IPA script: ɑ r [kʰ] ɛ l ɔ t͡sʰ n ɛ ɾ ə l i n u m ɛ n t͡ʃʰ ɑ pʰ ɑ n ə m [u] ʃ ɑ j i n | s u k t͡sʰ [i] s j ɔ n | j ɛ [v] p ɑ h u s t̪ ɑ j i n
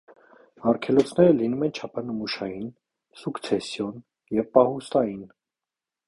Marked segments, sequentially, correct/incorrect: correct, correct, incorrect, correct

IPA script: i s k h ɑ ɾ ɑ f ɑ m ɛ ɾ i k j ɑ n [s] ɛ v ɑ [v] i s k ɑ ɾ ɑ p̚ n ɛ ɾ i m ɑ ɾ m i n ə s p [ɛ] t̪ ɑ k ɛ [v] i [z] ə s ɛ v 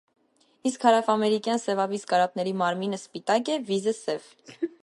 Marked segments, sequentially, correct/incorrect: correct, correct, incorrect, correct, correct

